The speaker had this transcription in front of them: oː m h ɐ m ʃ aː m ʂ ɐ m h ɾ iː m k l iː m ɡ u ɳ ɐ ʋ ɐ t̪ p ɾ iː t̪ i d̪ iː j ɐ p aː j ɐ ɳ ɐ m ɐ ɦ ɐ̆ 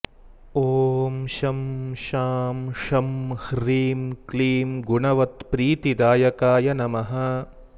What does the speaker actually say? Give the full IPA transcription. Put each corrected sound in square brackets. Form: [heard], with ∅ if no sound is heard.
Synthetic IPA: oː m [ʃ] ɐ m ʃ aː m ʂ ɐ m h ɾ iː m k l iː m ɡ u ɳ ɐ ʋ ɐ t̪ p ɾ iː t̪ i d̪ [aː] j ɐ [k] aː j ɐ [n] ɐ m ɐ ɦ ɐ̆